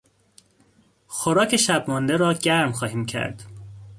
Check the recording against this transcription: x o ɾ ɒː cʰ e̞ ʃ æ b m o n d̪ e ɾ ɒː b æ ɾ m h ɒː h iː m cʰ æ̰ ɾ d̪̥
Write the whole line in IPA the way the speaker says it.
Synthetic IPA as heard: x o ɾ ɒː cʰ e̞ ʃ æ b m ɒ n d̪ e ɾ ɒː ɟ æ ɾ m x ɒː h iː m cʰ æ̰ ɾ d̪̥